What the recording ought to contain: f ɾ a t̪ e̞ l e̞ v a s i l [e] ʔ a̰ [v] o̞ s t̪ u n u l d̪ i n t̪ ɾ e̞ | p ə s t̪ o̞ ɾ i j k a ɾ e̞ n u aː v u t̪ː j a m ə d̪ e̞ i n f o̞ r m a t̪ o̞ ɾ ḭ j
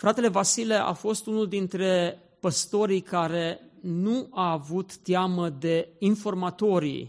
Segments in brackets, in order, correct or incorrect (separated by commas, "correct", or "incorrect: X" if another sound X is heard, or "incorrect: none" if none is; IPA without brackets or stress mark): correct, incorrect: f